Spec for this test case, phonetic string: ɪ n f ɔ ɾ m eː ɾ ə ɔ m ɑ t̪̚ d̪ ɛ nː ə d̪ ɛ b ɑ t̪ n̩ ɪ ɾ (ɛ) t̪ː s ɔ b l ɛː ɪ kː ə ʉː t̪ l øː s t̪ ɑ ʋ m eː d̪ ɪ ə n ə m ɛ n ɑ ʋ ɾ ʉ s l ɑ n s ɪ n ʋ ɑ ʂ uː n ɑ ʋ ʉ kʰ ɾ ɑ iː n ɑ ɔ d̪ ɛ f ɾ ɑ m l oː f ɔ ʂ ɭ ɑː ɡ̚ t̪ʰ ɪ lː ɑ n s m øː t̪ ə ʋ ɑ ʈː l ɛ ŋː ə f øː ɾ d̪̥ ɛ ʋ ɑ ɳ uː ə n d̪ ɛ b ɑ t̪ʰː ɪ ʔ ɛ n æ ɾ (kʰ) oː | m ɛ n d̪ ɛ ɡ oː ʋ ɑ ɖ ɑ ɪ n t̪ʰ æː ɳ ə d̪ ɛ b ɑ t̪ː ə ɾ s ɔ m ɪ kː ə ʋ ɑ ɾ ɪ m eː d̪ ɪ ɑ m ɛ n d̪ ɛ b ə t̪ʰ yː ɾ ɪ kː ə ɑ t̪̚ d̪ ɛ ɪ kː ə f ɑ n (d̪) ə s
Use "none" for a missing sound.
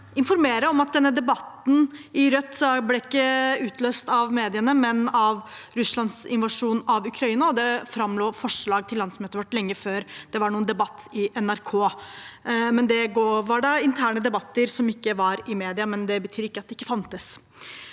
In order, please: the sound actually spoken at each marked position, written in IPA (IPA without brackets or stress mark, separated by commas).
œ, kʰ, t̪